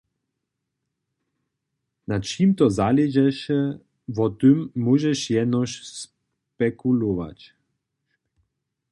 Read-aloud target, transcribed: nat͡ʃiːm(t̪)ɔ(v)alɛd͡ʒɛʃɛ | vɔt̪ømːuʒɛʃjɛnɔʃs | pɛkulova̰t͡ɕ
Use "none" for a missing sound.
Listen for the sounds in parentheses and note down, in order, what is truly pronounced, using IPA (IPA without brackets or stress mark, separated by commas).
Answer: t̪, z